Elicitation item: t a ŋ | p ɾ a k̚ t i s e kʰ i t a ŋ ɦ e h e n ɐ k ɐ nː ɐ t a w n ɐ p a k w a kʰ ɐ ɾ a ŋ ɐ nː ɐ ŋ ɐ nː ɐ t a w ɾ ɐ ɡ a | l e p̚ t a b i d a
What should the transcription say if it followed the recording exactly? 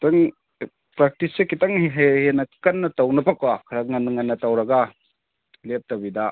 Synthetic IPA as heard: t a ŋ | p ɾ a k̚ t i s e k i t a ŋ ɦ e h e n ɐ k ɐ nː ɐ t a w n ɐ p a k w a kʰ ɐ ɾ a ŋ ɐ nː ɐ ŋ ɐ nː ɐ t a w ɾ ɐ ɡ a | l e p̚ t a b i d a

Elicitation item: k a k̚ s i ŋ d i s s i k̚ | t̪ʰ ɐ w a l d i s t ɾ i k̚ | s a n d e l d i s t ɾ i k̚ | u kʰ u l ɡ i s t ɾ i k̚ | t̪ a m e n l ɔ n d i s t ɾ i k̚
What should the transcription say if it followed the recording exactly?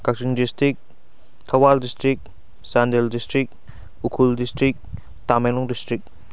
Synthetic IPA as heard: k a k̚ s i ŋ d i s t i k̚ | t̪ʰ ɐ w a l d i s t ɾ i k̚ | s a n d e l d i s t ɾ i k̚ | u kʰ u l d i s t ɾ i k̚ | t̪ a m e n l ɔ ŋ d i s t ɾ i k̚

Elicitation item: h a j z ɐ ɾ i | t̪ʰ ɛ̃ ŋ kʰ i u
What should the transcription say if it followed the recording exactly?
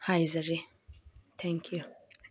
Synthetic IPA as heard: h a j z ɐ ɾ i | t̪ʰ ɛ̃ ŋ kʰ j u

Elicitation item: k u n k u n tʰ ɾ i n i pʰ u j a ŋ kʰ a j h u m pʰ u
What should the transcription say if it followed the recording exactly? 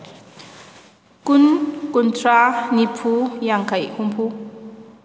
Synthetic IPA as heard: k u n k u n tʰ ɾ a n i pʰ u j a ŋ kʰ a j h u m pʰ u

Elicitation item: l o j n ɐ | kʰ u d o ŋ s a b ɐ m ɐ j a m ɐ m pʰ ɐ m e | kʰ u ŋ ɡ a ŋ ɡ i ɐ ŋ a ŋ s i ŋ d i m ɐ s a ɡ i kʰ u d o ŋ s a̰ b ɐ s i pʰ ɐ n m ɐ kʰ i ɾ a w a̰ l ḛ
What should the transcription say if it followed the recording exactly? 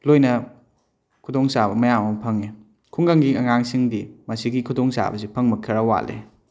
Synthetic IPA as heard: l o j n ɐ | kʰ u d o ŋ s a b ɐ m ɐ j a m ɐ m pʰ ɐ ŋ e | kʰ u ŋ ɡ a ŋ ɡ i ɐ ŋ a ŋ s i ŋ d i m ɐ s i ɡ i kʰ u d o ŋ s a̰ b ɐ s i pʰ ɐ ŋ m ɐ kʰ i ɾ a w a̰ l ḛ

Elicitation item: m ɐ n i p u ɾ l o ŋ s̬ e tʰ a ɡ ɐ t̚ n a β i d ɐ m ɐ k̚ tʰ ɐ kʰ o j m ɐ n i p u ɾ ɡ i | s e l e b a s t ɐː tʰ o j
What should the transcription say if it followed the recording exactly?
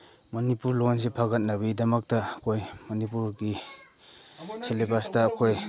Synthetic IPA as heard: m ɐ n i p u ɾ l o n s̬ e pʰ a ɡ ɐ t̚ n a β i d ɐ m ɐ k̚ t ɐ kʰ o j m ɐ n i p u ɾ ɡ i | s e l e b a s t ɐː kʰ o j

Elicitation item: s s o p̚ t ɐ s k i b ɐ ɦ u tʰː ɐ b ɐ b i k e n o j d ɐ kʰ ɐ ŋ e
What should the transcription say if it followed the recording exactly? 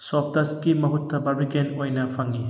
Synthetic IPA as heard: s s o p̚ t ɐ s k i m ɐ ɦ u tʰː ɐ b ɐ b i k e n o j n ɐ pʰ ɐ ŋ i

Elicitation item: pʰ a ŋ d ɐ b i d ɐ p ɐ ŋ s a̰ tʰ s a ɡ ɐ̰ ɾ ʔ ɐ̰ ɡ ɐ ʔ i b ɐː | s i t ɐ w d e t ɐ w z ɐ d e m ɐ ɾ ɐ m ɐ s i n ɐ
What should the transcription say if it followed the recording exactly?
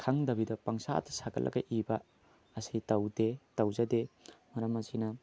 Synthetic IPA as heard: kʰ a ŋ d ɐ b i d ɐ p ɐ ŋ s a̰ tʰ s a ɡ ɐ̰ l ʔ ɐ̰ ɡ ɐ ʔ i b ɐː | s i t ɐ w d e t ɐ w z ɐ d e m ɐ ɾ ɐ m ɐ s i n ɐ

